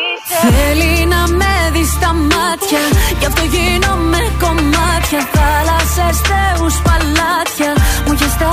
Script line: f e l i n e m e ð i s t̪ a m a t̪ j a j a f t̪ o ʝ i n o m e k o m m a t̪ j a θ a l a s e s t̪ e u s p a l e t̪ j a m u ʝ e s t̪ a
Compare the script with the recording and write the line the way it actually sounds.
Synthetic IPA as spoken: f e l i n a m e ð i s t̪ a m a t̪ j a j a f t̪ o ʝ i n o m e k o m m a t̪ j a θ a l a s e s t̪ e u s p a l a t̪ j a m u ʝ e s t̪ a